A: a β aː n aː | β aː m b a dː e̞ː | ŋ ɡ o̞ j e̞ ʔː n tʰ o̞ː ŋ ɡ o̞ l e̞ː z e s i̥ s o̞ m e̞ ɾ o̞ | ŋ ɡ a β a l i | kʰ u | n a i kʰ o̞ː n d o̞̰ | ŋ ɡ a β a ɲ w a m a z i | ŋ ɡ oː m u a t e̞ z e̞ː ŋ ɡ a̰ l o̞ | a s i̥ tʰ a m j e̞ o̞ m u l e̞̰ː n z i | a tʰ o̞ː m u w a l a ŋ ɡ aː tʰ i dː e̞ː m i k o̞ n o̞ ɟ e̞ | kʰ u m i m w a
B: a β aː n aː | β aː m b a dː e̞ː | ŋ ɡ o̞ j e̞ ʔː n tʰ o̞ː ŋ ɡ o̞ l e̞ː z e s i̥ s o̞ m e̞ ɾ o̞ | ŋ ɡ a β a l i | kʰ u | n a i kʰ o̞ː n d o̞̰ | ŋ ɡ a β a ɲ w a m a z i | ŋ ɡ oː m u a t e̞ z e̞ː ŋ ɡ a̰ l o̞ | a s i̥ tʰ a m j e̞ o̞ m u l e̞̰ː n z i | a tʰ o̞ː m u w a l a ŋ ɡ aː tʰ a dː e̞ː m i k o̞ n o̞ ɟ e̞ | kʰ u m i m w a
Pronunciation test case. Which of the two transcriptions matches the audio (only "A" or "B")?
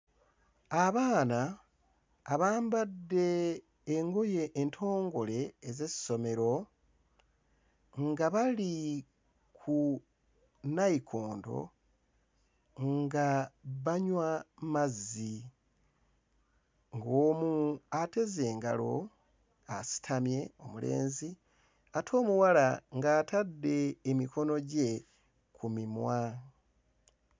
B